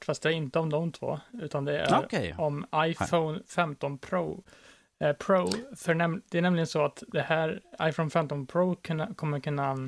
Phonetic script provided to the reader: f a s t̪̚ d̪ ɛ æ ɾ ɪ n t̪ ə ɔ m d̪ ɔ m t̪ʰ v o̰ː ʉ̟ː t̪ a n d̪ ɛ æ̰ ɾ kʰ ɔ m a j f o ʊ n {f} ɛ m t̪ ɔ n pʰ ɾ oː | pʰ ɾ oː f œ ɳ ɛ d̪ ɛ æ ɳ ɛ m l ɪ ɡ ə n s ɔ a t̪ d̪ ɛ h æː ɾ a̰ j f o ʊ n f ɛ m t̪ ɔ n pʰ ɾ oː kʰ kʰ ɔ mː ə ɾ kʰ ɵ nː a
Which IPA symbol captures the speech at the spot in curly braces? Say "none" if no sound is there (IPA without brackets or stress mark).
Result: f